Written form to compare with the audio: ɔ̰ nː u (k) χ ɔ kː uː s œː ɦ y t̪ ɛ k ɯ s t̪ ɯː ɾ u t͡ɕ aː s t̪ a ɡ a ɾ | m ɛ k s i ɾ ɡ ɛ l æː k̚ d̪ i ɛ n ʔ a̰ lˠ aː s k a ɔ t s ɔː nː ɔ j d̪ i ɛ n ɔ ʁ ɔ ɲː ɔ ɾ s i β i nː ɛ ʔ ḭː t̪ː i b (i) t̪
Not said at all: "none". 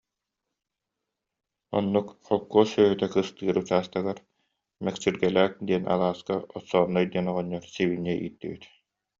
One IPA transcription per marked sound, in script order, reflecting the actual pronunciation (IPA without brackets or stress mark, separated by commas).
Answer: k, i